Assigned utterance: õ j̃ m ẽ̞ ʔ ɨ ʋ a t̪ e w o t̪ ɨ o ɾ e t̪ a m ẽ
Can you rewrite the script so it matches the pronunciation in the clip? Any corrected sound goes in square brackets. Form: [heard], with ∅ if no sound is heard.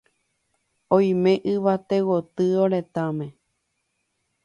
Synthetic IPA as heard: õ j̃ m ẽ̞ ʔ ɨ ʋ a t̪ e w o t̪ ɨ o ɾ e t̪ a m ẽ